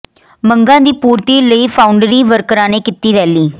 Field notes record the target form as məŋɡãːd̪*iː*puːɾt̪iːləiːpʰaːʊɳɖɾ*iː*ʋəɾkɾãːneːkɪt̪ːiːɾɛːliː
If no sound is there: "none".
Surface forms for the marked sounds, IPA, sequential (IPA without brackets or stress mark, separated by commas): iː, iː